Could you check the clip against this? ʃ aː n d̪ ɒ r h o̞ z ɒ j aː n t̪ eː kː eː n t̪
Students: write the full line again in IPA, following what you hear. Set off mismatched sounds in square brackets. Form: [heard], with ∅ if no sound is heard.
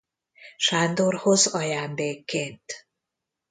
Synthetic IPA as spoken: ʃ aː n d̪ [o] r h o̞ z ɒ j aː n [d̪] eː kː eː n t̪